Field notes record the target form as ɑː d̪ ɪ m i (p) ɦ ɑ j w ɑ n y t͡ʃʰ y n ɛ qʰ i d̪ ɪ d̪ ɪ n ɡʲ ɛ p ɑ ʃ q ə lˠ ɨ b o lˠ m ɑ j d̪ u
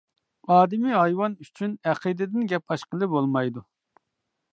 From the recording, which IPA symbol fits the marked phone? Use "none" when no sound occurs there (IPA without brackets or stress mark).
none